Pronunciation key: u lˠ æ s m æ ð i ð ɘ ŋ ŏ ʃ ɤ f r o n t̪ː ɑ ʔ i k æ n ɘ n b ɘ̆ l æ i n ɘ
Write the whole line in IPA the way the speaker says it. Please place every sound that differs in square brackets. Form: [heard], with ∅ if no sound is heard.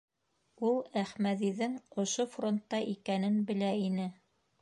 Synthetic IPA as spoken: u lˠ æ [χ] m æ ð i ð ɘ ŋ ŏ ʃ [o] f r o n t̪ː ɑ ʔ i k æ n ɘ n b ɘ̆ l æ i n ɘ